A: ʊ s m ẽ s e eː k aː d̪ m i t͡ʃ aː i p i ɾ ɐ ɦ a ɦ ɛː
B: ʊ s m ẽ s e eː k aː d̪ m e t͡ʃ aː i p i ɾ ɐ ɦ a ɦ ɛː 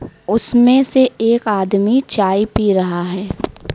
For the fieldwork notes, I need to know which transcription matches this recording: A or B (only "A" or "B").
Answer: A